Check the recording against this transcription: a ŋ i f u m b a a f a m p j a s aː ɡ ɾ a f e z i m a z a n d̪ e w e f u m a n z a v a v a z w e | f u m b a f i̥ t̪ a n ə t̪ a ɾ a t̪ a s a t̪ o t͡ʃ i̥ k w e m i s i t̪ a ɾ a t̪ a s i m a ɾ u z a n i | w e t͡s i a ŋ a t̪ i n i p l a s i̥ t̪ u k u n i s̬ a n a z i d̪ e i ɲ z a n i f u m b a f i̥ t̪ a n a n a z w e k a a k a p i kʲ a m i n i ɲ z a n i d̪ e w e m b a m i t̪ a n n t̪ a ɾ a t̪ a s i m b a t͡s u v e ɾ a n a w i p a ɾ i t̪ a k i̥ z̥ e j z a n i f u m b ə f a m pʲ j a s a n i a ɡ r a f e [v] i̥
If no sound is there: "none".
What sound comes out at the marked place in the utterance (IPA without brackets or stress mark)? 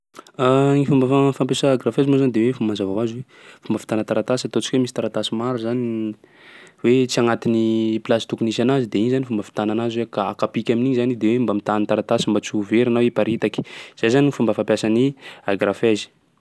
z